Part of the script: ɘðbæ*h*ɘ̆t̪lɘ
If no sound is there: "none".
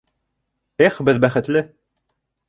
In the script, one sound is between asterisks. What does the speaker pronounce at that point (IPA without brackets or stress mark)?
χ